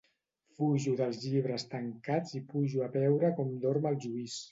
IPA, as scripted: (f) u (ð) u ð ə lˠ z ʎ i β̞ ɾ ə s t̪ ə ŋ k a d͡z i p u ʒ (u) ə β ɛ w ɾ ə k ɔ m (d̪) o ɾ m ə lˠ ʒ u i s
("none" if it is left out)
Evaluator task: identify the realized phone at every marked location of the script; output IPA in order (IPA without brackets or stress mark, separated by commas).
f, ʒ, u, d̪